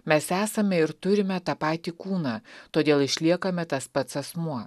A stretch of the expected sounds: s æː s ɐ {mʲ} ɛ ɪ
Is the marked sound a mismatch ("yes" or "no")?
no